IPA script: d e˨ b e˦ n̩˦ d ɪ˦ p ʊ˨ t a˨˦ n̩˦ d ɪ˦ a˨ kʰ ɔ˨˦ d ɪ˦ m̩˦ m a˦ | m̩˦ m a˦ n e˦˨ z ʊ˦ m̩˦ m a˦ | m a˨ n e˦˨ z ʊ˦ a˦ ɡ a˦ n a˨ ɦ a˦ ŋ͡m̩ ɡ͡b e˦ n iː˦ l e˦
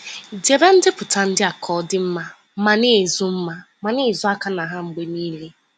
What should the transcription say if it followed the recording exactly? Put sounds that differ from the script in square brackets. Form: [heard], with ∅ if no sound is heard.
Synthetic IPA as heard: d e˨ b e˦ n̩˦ d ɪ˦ p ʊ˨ t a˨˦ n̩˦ d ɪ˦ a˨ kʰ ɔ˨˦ d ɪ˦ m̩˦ m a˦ | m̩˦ m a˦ n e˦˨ z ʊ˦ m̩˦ m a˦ | m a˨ n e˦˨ z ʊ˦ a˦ [k] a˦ n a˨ ɦ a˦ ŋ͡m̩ ɡ͡b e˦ n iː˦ l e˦